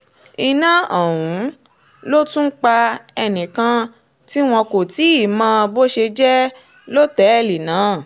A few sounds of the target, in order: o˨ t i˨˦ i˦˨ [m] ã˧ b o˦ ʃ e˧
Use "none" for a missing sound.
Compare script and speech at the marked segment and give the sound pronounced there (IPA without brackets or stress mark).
m